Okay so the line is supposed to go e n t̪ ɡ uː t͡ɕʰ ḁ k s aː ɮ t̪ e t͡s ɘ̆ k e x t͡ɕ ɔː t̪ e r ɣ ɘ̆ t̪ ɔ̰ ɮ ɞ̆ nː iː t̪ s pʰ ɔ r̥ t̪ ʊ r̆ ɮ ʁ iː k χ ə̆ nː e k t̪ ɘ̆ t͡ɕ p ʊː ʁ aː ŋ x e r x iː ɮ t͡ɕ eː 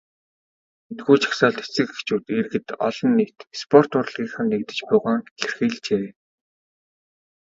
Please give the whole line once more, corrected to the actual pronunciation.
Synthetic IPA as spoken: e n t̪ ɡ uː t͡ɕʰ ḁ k s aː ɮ t̪ e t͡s ɘ̆ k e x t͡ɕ uː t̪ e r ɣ ɘ̆ t̪ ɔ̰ ɮ ɞ̆ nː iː t̪ s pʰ ɔ r̥ t̪ ʊ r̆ ɮ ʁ iː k χ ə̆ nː e k t̪ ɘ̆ t͡ɕ p ʊː ʁ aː ŋ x e r x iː ɮ t͡ɕ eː